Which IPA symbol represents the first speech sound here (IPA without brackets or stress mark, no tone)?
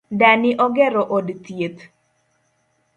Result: d